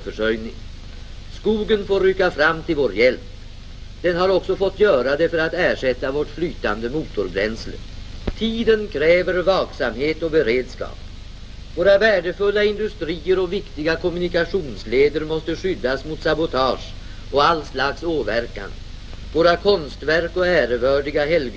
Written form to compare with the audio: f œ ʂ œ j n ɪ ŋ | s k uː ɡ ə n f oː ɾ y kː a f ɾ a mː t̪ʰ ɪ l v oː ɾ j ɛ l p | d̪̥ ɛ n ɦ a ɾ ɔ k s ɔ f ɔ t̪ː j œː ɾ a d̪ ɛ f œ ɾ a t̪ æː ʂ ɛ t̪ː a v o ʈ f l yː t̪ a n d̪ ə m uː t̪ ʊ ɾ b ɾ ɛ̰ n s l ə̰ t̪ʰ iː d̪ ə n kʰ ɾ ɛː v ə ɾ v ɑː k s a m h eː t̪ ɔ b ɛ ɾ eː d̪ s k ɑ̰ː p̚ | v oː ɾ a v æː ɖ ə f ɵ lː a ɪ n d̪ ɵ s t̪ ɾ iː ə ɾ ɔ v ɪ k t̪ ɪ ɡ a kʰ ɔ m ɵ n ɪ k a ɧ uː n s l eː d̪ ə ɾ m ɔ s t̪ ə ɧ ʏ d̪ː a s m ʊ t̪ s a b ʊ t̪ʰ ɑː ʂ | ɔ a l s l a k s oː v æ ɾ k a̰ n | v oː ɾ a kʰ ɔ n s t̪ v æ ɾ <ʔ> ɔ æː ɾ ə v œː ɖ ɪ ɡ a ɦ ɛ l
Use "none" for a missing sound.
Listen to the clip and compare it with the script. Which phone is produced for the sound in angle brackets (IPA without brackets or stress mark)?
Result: k